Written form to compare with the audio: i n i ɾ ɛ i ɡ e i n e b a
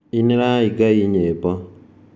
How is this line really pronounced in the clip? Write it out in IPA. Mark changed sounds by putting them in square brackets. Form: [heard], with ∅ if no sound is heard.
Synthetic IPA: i n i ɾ [a] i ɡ [a] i [ɲ] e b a

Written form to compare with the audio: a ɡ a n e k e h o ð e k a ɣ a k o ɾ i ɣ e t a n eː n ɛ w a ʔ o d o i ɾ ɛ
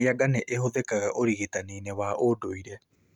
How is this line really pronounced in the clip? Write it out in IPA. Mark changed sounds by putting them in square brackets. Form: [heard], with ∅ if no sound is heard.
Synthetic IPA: a ɡ a n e [ʔ] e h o ð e k a ɣ a [ʔ] o ɾ i ɣ e t a n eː n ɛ w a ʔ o d o i ɾ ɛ

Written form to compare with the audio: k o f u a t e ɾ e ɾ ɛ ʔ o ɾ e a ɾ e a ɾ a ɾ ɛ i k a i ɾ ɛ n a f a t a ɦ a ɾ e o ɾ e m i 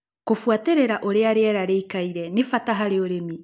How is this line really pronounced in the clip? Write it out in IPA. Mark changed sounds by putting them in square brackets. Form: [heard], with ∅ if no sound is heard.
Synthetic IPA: k o f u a t e ɾ e ɾ [a] ʔ o ɾ e a ɾ e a ɾ a ɾ [e] i k a i ɾ ɛ n [e] f a t a ɦ a ɾ e o ɾ e m i

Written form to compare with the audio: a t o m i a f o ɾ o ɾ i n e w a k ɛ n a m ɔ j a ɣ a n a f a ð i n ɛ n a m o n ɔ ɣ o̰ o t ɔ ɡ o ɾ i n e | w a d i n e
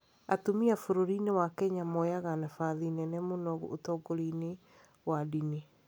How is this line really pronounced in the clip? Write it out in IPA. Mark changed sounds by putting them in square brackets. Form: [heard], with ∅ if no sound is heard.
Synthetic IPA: a t o m i a f o ɾ o ɾ i n e w a k ɛ [ɲ] a m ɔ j a ɣ a n a f a ð i n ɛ n [ɛ] m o n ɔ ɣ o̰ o t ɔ ɡ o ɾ i n e | w a d i n e

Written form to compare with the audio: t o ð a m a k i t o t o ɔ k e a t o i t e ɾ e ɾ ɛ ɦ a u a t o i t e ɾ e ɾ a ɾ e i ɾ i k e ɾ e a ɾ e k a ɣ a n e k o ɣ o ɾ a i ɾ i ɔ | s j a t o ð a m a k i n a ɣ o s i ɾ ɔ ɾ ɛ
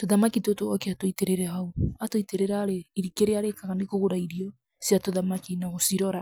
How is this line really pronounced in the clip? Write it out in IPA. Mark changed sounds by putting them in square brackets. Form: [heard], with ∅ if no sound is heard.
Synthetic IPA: t o ð a m a k i t o t o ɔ k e a t o i t e ɾ e ɾ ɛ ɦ a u a t o i t e ɾ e ɾ a ɾ e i ɾ i k e ɾ e a ɾ e k a ɣ a n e k o ɣ o ɾ a i ɾ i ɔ | s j a t o ð a m a k i n a ɣ o s i ɾ ɔ ɾ [a]

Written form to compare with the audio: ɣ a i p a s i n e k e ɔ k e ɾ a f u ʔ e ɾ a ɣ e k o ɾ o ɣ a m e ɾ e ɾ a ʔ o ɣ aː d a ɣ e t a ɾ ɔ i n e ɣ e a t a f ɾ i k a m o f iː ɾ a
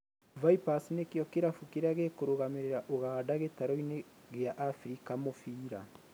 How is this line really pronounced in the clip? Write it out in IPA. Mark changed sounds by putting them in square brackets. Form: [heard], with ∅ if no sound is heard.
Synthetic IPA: [v] a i p a s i n e k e ɔ k e ɾ a f u [k] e ɾ a ɣ e k o ɾ o ɣ a m e ɾ e ɾ a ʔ o ɣ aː d a ɣ e t a ɾ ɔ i n e ɣ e a [ʔ] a f ɾ i k a m o f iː ɾ a

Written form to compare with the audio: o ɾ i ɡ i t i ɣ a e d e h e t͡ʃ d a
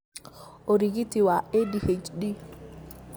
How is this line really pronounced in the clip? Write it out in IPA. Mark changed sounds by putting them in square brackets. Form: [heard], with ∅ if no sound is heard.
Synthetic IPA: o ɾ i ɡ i t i [w] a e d [i] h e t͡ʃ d [i]

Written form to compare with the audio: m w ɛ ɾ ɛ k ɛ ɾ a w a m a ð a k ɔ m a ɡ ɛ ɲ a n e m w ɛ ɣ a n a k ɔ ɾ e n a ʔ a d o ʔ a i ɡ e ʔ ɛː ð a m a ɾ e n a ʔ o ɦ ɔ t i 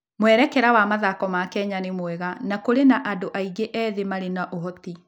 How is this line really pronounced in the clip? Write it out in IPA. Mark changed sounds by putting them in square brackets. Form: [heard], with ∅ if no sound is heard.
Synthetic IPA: m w ɛ ɾ ɛ k ɛ ɾ a w a m a ð a k ɔ m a [k] ɛ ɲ a n e m w ɛ ɣ a n a k [o] ɾ e n a ʔ a d o ʔ a i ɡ e ʔ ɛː ð [e] m a ɾ e n a ʔ o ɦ ɔ t i

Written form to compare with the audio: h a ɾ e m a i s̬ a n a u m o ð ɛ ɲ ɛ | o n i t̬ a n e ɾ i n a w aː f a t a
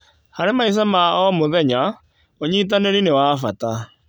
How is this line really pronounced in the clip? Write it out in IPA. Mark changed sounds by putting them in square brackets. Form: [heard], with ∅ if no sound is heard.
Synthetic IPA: h a ɾ e m a i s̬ a [m] a [ɔ] m o ð ɛ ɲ [a] | o [ɲ] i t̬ a n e ɾ i n [e] w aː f a t a

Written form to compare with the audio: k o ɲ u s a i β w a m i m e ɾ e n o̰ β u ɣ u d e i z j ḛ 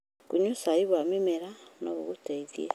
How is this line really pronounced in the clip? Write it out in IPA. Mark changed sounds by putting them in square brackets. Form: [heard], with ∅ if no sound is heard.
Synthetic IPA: k [u] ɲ u s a i β w a m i m e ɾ [a] n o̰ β u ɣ u [t] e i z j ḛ

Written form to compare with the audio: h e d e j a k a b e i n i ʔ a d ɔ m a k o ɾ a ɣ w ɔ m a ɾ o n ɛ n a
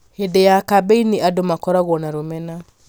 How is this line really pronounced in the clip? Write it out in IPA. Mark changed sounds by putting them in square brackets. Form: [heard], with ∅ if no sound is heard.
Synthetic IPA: h e d e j a k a b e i n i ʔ a d [o] m a k [ɔ] ɾ a ɣ w ɔ [n] a ɾ o [m] ɛ n a

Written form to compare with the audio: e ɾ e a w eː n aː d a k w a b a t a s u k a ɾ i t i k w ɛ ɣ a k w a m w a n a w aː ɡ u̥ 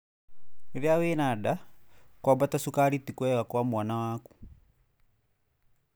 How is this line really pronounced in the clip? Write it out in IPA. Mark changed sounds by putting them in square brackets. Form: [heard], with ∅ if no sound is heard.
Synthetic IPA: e ɾ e a w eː n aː d a k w a b a t a s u k a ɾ i t i k w ɛ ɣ a k w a m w a n a w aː [k] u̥

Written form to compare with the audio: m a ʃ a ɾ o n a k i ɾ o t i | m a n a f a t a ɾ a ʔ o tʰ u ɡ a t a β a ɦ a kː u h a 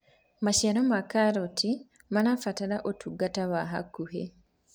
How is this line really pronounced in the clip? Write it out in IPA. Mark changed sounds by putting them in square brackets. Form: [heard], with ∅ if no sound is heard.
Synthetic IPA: m a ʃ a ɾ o [m] a k [a] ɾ o t i | m a n a f a t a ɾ a ʔ o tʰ u ɡ a t a β a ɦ a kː u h [e]

